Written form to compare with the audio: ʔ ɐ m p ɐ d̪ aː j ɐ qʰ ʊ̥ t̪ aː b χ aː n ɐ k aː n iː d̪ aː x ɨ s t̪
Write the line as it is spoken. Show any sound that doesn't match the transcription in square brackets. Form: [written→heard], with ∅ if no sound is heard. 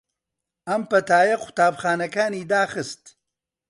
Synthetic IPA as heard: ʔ ɐ m p ɐ [d̪→t̪] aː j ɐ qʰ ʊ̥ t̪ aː b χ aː n ɐ k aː n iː d̪ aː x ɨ s t̪